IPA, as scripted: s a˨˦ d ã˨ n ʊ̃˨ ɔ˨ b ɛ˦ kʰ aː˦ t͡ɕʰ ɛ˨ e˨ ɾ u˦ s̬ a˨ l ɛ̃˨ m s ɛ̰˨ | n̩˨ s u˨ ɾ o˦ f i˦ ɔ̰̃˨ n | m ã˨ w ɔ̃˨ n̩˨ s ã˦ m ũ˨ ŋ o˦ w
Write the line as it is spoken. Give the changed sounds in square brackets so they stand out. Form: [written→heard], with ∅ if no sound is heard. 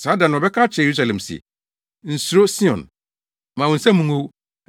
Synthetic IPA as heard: s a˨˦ d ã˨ n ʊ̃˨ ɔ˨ b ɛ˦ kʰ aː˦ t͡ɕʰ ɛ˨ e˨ ɾ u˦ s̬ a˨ l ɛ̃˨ m s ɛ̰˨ | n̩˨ s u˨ ɾ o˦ [f→s] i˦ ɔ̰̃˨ n | m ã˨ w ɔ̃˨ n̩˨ s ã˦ m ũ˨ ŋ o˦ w